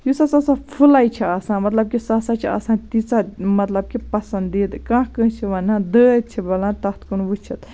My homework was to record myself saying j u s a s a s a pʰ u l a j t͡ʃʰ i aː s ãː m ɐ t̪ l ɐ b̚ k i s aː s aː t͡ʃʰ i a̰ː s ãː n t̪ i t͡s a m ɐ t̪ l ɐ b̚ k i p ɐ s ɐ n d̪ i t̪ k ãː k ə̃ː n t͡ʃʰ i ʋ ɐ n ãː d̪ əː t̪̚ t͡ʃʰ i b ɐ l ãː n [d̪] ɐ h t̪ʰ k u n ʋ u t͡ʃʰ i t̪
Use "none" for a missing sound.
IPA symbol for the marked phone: t̪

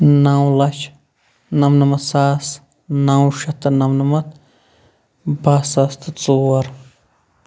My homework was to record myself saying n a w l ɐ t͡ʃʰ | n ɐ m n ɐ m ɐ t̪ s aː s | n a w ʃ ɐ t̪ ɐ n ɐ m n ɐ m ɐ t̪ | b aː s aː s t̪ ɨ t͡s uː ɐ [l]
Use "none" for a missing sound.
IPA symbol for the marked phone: ɾ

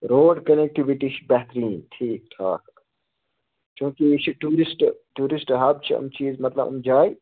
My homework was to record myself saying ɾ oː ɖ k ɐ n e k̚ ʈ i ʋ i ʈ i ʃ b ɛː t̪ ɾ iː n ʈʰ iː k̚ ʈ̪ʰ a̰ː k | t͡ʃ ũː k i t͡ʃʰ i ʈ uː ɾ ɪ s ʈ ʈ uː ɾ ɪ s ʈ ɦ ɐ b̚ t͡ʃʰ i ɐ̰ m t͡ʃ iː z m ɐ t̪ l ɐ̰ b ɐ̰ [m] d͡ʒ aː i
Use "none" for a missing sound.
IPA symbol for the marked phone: m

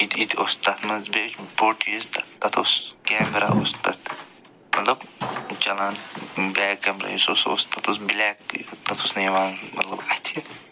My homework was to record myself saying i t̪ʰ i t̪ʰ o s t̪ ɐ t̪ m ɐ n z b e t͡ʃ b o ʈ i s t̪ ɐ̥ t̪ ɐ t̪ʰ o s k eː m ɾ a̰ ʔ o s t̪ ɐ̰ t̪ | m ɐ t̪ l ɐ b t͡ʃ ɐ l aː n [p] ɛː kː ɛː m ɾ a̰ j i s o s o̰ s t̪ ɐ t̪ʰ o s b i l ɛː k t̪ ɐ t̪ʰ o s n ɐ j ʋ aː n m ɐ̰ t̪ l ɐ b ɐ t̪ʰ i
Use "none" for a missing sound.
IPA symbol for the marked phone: b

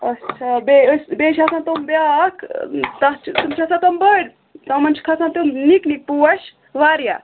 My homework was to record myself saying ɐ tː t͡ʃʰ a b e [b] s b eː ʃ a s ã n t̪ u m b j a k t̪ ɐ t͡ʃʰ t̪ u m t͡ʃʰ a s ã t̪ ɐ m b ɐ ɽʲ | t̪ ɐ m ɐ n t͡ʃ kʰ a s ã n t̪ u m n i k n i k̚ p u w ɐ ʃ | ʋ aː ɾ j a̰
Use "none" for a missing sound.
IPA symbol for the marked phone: none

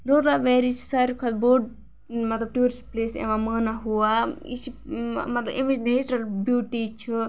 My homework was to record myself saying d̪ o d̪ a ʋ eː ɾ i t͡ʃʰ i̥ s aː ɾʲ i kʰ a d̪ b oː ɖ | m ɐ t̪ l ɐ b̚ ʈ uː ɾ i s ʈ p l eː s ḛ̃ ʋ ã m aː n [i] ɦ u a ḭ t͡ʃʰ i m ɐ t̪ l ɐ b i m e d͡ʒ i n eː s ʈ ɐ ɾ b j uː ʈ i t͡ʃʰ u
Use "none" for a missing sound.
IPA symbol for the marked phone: a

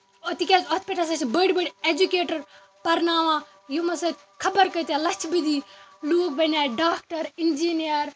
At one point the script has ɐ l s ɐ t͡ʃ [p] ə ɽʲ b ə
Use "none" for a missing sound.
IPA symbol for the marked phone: b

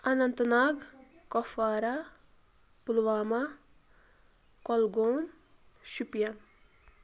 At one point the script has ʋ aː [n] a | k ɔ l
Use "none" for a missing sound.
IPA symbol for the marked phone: m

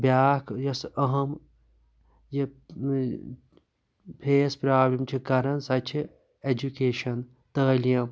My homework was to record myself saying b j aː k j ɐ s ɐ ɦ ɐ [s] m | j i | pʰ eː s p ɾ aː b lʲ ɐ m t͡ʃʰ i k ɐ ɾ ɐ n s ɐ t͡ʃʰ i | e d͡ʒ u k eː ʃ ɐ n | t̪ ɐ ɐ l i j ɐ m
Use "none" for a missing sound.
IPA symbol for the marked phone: none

